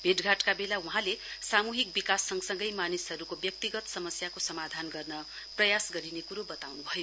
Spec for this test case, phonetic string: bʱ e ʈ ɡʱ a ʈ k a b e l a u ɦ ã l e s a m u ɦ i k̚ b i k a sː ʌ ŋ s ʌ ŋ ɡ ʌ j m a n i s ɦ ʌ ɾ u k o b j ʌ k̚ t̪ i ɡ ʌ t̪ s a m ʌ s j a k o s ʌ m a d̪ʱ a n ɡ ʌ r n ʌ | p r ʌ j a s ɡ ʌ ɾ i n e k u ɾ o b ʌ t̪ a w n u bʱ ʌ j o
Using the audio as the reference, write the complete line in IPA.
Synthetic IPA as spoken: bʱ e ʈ ɡʱ a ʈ k a b e l a u ɦ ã l e s a m u ɦ i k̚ b i k a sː ʌ ŋ s ʌ ŋ ɡ ʌ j m a n i s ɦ ʌ ɾ u k o b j ʌ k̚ t̪ i ɡ ʌ t̪ s ʌ m ʌ s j a k o s ʌ m a d̪ʱ a n ɡ ʌ r n ʌ | p r ʌ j a s ɡ ʌ ɾ i n e k u ɾ o b ʌ t̪ a w n u bʱ ʌ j o

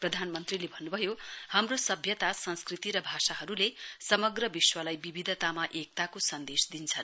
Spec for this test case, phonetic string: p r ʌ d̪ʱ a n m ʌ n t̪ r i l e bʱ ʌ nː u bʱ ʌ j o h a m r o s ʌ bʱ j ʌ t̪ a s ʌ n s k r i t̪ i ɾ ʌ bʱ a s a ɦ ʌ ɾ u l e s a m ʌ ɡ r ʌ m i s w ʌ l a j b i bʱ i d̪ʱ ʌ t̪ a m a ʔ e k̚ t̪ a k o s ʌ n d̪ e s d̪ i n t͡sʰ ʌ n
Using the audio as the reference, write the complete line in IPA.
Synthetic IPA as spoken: p r ʌ d̪ʱ a n m ʌ n t̪ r i l e bʱ ʌ nː u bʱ ʌ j o h a m r o s ʌ bʱ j ʌ t̪ a s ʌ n s k r i t̪ i ɾ ʌ bʱ a s a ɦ ʌ ɾ u l e s ʌ m ʌ ɡ r ʌ b i s w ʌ l a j b i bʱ i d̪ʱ ʌ t̪ a m a ʔ e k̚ t̪ a k o s ʌ n d̪ e s d̪ i n t͡sʰ ʌ n

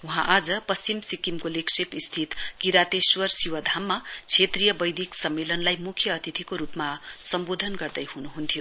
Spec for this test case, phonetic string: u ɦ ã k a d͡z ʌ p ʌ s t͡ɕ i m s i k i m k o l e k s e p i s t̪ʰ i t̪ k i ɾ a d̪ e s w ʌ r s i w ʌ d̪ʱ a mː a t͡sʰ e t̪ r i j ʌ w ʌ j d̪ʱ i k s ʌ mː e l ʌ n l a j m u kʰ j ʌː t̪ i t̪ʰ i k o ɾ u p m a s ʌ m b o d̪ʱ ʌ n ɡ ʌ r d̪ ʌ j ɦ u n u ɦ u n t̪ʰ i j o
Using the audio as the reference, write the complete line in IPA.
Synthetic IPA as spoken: u ɦ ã ʔ a d͡z ʌ p ʌ s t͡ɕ i m s i k i m k o l e k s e p i s t̪ʰ i t̪ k i ɾ a t̪ e s w ʌ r s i w ʌ d̪ʱ a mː a t͡sʰ e t̪ r i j ʌ b ʌ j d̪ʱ i k s ʌ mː e l ʌ n l a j m u kʰ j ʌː t̪ i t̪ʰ i k o ɾ u p m a s ʌ m b o d̪ʱ ʌ n ɡ ʌ r d̪ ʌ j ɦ u n u ɦ u n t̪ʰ i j o

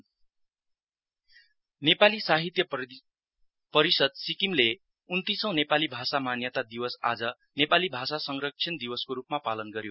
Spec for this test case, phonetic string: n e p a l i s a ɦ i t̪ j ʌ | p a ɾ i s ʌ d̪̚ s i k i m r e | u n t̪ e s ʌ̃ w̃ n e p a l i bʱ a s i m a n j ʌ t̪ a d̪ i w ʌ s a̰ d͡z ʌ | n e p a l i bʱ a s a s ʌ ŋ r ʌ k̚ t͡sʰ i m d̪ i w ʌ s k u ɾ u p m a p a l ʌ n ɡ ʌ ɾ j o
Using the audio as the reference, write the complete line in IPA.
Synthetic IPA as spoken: n e p a l i s a ɦ i t̪ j ʌ | p ʌ ɾ i s ʌ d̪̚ s i k i m l e | u n t̪ i s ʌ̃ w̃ n e p a l i bʱ a s a m a n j ʌ t̪ a d̪ i w ʌ s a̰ d͡z ʌ | n e p a l i bʱ a s a s ʌ ŋ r ʌ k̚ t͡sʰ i n d̪ i w ʌ s k o ɾ u p m a p a l ʌ n ɡ ʌ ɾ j o

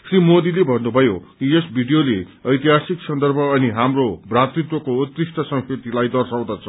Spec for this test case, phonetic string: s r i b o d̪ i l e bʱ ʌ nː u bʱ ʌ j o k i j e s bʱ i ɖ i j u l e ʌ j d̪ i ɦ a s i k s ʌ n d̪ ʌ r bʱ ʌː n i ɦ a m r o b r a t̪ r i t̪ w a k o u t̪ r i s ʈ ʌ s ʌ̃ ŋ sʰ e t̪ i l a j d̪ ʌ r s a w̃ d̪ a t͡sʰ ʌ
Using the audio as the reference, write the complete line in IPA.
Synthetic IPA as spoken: s r i m o d̪ i l e bʱ ʌ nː u bʱ ʌ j o k i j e s bʱ i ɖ i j o l e ʌ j t̪ i ɦ a s i k s ʌ n d̪ ʌ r bʱ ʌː n i ɦ a m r o b r a t̪ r i t̪ w ʌ k o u t̪ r i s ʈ ʌ s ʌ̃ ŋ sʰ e t̪ i l a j d̪ ʌ r s a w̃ d̪ a t͡sʰ ʌ

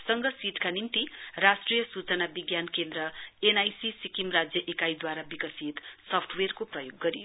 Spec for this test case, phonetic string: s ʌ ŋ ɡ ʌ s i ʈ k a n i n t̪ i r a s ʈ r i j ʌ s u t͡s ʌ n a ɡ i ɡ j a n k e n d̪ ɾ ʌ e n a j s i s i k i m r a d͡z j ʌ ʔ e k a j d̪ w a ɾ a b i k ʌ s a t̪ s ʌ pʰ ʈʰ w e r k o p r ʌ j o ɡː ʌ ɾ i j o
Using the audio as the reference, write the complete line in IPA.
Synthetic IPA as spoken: s ʌ ŋ ɡ ʌ s i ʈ k a n i m t̪ i r a s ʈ r i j ʌ s u t͡s ʌ n a b i ɡ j a n k e n d̪ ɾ ʌ e n a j s i s i k i m r a d͡z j ʌ ʔ e k a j d̪ w a ɾ a b i k ʌ s i t̪ s ʌ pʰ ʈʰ w e r k o p r ʌ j o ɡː ʌ ɾ i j o

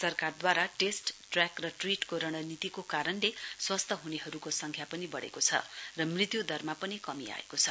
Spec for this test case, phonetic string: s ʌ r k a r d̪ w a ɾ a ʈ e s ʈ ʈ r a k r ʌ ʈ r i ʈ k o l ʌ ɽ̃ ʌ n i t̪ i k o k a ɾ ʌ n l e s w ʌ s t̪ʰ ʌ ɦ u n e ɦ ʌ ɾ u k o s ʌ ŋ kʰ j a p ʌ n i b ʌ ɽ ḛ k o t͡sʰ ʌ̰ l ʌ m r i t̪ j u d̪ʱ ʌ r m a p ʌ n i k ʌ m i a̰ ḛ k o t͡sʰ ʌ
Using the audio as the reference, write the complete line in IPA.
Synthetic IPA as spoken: s ʌ r k a r d̪ w a ɾ a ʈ e s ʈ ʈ r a k r ʌ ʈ r i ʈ k o ɾ ʌ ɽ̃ ʌ n i t̪ i k o k a ɾ ʌ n l e s w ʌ s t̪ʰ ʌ ɦ u n e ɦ ʌ ɾ u k o s ʌ ŋ kʰ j a p ʌ n i b ʌ ɽ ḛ k o t͡sʰ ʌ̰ r ʌ m r i t̪ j u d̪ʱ ʌ r m a p ʌ n i k ʌ m i a̰ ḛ k o t͡sʰ ʌ

